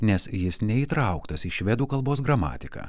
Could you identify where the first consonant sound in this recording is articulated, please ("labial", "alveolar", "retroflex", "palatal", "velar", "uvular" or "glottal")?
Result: alveolar